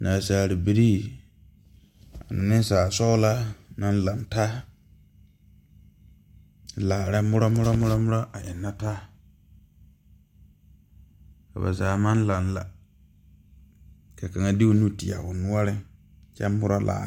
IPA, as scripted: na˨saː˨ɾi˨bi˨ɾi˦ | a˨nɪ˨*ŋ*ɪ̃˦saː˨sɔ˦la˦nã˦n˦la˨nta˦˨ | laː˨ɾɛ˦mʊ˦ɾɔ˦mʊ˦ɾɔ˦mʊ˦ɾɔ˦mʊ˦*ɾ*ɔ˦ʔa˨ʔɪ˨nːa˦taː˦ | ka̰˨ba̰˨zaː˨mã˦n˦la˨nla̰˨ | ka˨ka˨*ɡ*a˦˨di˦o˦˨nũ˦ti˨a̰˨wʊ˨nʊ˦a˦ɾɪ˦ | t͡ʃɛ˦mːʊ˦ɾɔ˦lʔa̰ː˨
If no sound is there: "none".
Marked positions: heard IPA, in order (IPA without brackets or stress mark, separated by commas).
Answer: n, ɾ, ŋ